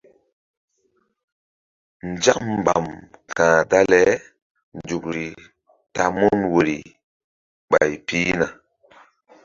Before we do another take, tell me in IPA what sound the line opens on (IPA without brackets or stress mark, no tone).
n